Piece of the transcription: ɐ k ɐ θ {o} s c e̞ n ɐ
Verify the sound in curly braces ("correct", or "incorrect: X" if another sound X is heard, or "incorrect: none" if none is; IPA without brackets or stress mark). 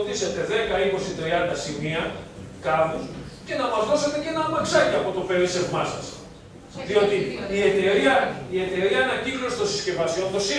correct